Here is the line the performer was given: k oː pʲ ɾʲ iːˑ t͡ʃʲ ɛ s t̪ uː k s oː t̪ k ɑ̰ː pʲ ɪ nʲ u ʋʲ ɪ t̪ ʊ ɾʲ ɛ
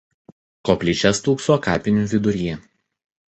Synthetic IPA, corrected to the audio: k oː pʲ lʲ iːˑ t͡ʃʲ ɛ s t̪ uː k s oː k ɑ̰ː pʲ ɪ nʲ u ʋʲ ɪ d̪ ʊ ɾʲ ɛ